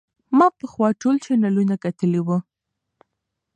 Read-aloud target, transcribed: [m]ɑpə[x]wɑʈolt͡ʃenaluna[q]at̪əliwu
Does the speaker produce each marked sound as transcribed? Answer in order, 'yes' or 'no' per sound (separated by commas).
yes, yes, no